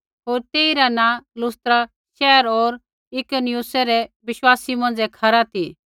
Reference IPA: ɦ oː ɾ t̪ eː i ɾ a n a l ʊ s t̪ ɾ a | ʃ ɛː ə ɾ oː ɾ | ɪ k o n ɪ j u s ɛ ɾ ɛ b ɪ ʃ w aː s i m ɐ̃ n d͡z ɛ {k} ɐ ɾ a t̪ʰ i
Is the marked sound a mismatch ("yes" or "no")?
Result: yes